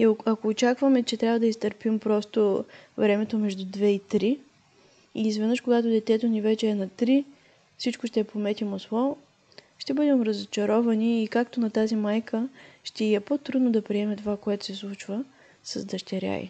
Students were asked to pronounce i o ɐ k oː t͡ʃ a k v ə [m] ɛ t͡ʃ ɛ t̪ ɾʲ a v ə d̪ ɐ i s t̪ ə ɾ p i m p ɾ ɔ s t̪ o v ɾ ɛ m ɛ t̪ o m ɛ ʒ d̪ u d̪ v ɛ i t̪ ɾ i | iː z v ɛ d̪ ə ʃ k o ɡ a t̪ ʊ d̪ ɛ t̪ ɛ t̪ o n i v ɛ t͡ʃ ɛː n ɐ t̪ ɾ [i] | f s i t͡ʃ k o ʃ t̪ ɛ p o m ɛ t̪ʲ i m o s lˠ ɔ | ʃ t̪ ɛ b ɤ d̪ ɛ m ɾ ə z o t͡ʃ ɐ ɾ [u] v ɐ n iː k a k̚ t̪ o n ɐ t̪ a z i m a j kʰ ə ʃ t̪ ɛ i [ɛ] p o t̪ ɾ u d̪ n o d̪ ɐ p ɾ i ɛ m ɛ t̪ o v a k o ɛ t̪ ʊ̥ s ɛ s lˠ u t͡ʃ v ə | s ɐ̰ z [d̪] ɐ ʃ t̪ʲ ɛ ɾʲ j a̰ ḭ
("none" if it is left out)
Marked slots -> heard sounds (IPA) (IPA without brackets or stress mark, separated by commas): m, i, ɔ, ɛ, d̪